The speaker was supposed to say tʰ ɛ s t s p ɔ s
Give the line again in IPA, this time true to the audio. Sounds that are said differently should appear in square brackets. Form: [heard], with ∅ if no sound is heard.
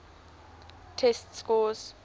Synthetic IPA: tʰ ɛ s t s [k] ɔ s